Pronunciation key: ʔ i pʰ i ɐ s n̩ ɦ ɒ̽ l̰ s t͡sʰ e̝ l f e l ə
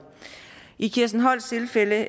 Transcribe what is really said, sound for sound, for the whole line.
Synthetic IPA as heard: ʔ i kʰ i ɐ s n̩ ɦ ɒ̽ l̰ s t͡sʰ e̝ l f e l ə